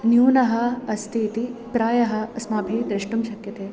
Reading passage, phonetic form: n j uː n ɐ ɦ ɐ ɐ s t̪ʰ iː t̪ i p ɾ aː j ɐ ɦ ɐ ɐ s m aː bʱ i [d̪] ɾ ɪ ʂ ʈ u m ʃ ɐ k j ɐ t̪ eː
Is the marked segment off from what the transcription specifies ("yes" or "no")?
no